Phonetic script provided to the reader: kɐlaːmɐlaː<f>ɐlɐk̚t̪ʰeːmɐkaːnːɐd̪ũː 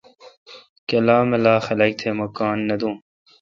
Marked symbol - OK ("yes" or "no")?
no